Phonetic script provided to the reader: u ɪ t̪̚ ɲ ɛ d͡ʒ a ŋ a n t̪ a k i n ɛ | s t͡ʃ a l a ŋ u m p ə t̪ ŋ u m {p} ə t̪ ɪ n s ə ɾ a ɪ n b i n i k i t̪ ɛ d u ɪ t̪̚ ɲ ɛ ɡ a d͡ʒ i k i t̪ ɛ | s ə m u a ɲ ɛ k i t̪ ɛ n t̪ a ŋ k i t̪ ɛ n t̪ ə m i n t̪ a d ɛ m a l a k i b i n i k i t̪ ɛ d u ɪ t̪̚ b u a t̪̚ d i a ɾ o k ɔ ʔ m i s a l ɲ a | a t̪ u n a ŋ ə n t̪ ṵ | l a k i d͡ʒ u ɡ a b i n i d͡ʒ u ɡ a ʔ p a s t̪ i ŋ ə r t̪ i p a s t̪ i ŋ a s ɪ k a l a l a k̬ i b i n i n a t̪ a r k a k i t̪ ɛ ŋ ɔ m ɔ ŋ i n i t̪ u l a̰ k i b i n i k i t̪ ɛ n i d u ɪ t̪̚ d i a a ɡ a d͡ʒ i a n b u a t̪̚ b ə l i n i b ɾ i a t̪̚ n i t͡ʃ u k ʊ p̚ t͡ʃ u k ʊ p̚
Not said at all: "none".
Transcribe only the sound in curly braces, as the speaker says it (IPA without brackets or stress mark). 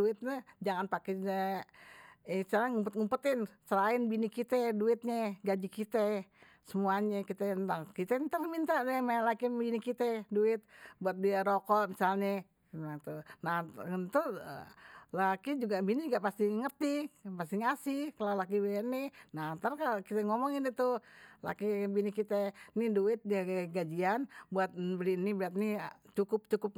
p